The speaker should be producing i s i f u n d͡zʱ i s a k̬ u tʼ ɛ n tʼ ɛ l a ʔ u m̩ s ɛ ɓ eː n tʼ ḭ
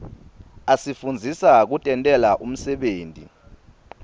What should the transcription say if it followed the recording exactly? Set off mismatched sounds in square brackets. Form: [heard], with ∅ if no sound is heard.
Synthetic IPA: [a] s i f u n d͡zʱ i s a k̬ u tʼ ɛ n tʼ ɛ l a ʔ u m̩ s ɛ ɓ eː n tʼ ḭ